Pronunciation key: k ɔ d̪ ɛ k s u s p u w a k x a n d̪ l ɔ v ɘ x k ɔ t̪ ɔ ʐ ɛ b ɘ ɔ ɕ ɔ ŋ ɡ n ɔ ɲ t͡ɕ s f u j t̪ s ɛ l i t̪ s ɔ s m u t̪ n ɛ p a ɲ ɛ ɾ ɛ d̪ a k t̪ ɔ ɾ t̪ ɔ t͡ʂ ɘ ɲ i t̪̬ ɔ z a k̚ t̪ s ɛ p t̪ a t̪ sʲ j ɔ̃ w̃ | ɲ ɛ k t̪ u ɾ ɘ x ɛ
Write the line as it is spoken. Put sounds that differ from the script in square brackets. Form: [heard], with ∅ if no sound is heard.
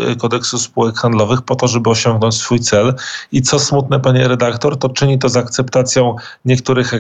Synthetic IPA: k ɔ d̪ ɛ k s u s p u w [ɛ] k x a n d̪ l ɔ v ɘ x [p] ɔ t̪ ɔ ʐ ɛ b ɘ ɔ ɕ ɔ ŋ ɡ n ɔ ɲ t͡ɕ s f u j t̪ s ɛ l i t̪ s ɔ s m u t̪ n ɛ p a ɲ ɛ ɾ ɛ d̪ a k t̪ ɔ ɾ t̪ ɔ t͡ʂ ɘ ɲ i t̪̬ ɔ z a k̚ t̪ s ɛ p t̪ a t̪ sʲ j ɔ̃ w̃ | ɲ ɛ k t̪ u ɾ ɘ x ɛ